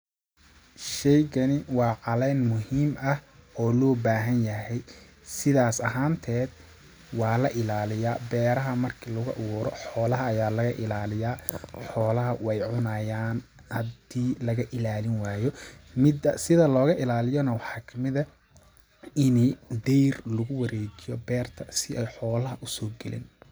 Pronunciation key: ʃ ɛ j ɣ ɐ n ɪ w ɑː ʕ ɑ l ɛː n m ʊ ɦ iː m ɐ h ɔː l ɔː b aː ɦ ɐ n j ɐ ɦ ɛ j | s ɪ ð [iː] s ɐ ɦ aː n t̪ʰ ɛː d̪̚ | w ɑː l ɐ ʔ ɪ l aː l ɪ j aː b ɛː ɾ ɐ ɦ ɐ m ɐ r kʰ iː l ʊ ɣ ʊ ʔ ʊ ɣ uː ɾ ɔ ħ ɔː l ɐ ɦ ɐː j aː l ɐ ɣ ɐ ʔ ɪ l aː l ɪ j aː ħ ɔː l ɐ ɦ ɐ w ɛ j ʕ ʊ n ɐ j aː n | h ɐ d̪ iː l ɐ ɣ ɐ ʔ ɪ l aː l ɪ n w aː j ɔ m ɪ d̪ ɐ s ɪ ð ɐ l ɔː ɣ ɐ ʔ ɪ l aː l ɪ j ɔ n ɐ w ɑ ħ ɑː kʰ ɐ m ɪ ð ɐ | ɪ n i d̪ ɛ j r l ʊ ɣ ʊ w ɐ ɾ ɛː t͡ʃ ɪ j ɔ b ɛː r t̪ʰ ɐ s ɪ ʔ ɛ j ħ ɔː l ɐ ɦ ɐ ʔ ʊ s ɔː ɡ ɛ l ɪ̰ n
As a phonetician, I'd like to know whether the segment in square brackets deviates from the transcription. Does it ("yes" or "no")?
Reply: yes